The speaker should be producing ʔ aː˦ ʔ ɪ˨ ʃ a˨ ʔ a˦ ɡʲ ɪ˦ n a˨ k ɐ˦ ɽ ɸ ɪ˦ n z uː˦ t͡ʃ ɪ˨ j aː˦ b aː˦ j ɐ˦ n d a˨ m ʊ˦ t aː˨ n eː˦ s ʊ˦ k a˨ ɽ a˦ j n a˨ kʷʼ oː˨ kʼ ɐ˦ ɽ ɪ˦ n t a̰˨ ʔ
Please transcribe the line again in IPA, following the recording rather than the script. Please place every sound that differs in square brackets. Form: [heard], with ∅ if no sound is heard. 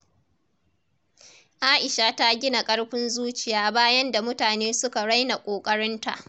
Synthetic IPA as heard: ʔ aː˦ ʔ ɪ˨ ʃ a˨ [t] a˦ ɡʲ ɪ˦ n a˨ [kʼ] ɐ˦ ɽ ɸ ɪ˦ n z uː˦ t͡ʃ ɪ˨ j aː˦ b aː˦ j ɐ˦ n d a˨ m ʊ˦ t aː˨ n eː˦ s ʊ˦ k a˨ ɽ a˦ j n a˨ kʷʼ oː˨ kʼ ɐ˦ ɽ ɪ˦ n t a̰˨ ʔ